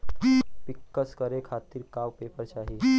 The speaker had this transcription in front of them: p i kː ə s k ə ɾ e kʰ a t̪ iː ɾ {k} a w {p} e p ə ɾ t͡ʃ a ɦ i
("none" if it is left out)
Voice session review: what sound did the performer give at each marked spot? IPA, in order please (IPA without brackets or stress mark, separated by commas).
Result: k, p